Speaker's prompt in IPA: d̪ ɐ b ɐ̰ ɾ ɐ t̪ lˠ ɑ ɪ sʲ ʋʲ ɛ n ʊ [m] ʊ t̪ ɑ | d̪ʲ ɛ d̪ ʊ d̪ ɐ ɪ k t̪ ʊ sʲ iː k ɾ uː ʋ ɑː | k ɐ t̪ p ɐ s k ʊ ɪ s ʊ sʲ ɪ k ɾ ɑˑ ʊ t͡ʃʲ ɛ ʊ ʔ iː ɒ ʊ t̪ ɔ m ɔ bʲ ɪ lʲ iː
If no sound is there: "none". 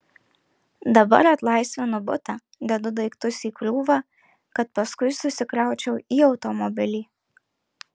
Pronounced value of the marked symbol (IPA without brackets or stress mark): b